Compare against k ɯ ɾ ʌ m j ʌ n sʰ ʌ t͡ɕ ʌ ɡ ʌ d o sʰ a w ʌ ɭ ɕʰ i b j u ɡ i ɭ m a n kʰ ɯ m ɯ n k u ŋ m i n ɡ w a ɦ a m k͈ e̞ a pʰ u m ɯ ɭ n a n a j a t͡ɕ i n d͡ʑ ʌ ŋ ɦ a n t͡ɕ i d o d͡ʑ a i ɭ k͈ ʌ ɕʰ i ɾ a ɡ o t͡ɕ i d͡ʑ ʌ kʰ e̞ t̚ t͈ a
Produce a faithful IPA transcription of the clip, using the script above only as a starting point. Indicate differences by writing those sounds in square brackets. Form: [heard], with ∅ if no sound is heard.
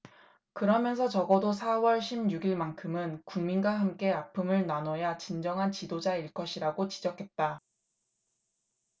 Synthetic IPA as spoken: k ɯ ɾ ʌ m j ʌ n sʰ ʌ t͡ɕ ʌ ɡ ʌ d o sʰ a w ʌ ɭ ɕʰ i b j u ɡ i ɭ m a n kʰ ɯ m ɯ n k u ŋ m i n ɡ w a ɦ a m k͈ e̞ a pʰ [ɯ] m ɯ ɭ n a n [ʌ] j a t͡ɕ i n d͡ʑ ʌ ŋ ɦ a n t͡ɕ i d o d͡ʑ a i ɭ k͈ ʌ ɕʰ i ɾ a ɡ o t͡ɕ i d͡ʑ ʌ kʰ e̞ t̚ t͈ a

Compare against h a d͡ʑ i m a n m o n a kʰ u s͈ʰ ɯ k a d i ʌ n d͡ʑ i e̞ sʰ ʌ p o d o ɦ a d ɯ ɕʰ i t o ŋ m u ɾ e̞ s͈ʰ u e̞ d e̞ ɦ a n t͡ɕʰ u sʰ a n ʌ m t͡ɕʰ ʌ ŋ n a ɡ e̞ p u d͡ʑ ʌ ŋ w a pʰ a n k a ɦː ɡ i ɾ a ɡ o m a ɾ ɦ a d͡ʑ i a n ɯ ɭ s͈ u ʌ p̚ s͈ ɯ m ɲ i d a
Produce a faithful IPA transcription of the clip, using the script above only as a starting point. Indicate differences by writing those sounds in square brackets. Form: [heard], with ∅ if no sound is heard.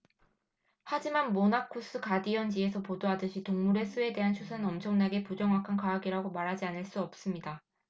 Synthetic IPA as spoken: h a d͡ʑ i m a n m o n a kʰ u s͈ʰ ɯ k a d i ʌ n d͡ʑ i e̞ sʰ ʌ p o d o ɦ a d ɯ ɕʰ i t o ŋ m u ɾ e̞ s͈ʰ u e̞ d e̞ ɦ a n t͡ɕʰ u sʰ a n ʌ m t͡ɕʰ ʌ ŋ n a ɡ e̞ p u d͡ʑ ʌ ŋ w a [kʰ] a n k a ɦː ɡ i ɾ a ɡ o m a ɾ ɦ a d͡ʑ i a n ɯ ɭ s͈ u ʌ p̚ s͈ ɯ m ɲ i d a

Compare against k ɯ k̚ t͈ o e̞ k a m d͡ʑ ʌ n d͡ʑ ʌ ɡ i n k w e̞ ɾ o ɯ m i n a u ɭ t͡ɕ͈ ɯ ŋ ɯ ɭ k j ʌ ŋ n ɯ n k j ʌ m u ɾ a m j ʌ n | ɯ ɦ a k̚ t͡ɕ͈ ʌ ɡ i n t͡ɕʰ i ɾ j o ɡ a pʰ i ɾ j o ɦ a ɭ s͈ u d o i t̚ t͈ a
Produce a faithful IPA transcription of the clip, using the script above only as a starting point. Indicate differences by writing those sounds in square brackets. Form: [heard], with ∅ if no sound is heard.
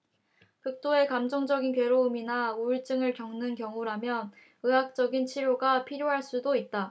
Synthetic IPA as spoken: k ɯ k̚ t͈ o e̞ k a m d͡ʑ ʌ [ŋ] d͡ʑ ʌ ɡ i n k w e̞ ɾ o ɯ m i n a u ɭ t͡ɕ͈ ɯ ŋ ɯ ɭ k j ʌ ŋ n ɯ n k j ʌ [ŋ] u ɾ a m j ʌ n | ɯ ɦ a k̚ t͡ɕ͈ ʌ ɡ i n t͡ɕʰ i ɾ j o ɡ a pʰ i ɾ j o ɦ a ɭ s͈ u d o i t̚ t͈ a

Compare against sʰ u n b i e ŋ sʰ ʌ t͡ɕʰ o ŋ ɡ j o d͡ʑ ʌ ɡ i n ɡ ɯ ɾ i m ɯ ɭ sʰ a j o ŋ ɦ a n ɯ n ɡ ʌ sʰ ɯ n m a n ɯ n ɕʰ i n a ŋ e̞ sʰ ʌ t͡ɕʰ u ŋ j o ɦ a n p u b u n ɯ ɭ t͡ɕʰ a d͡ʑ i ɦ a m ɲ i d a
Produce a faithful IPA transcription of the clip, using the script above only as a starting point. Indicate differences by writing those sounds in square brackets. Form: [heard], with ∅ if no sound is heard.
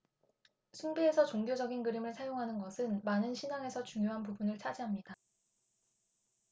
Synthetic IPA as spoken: sʰ u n b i e [∅] sʰ ʌ [t͡ɕ] o ŋ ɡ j o d͡ʑ ʌ ɡ i n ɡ ɯ ɾ i m ɯ ɭ sʰ a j o ŋ ɦ a n ɯ n ɡ ʌ sʰ ɯ n m a n ɯ n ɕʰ i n a ŋ e̞ sʰ ʌ [t͡ɕ] u ŋ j o ɦ a n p u b u n ɯ ɭ t͡ɕʰ a d͡ʑ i ɦ a m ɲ i d a

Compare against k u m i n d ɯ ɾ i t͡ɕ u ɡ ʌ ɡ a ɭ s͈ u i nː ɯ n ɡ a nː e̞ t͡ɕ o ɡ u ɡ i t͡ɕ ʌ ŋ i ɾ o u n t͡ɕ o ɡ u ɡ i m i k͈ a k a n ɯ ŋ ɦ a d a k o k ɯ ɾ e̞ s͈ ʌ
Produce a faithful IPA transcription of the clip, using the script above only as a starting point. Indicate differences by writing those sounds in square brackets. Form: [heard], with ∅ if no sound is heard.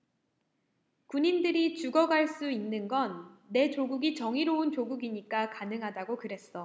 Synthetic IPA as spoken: k u [ɲ] i n d ɯ ɾ i t͡ɕ u ɡ ʌ ɡ a ɭ s͈ u i nː ɯ n ɡ [ʌ] nː e̞ t͡ɕ o ɡ u ɡ i t͡ɕ ʌ ŋ i ɾ o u n t͡ɕ o ɡ u ɡ i [ɲ] i k͈ a k a n ɯ ŋ ɦ a d a [ɡ] o k ɯ ɾ e̞ s͈ ʌ

